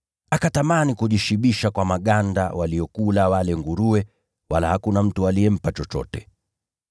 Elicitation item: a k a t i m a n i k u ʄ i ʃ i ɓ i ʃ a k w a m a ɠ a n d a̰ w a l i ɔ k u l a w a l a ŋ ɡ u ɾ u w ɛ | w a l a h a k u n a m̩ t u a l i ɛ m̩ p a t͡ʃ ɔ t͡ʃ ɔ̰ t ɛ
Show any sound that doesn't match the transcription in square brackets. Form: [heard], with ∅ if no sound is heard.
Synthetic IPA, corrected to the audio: a k a t [a] m a n i k u ʄ i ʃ i ɓ i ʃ a k w a m a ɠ a n d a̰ w a l i ɔ k u l a w a l [ɛ] ŋ ɡ u ɾ u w ɛ | w a l a h a k u n a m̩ t u a l i ɛ m̩ p a t͡ʃ ɔ t͡ʃ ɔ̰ t ɛ